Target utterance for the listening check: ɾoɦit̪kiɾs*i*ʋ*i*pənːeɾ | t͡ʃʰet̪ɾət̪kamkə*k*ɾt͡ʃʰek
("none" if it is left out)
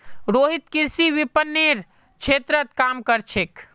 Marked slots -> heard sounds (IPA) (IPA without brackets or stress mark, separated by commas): i, i, none